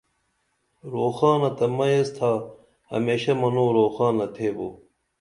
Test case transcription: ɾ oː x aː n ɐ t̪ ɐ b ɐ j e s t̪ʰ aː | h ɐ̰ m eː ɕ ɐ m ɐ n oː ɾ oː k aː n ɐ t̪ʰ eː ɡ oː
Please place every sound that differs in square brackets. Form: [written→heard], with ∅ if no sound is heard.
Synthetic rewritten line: ɾ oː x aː n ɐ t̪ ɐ [b→m] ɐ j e s t̪ʰ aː | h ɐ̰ m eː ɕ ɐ m ɐ n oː ɾ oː [k→x] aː n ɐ t̪ʰ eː [ɡ→b] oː